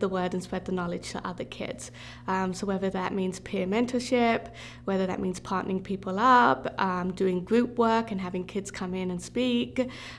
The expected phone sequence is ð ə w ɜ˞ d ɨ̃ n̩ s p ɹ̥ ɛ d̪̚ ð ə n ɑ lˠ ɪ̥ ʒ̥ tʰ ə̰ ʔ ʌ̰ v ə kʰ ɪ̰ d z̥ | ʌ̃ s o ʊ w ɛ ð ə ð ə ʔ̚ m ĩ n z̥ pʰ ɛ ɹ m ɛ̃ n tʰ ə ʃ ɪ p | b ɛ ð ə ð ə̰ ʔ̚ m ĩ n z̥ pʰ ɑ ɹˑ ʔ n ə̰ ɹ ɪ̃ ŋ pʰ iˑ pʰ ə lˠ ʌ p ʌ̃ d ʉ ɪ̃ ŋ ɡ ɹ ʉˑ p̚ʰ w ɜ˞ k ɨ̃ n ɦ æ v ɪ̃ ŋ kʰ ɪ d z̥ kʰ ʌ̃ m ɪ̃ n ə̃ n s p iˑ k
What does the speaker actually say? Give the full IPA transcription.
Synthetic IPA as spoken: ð ə w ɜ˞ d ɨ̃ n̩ s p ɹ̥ ɛ d̪̚ ð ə n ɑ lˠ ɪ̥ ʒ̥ tʰ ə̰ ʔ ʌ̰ ð ə kʰ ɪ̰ d z̥ | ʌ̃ s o ʊ w ɛ ð ə ð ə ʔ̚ m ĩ n z̥ pʰ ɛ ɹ m ɛ̃ n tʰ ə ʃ ɪ p | w ɛ ð ə ð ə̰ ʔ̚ m ĩ n z̥ pʰ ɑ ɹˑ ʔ n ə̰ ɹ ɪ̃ ŋ pʰ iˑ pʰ ə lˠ ʌ p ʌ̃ d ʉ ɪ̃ ŋ ɡ ɹ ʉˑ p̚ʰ w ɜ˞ k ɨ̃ n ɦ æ v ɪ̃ ŋ kʰ ɪ d z̥ kʰ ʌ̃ m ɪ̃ n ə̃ n s p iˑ k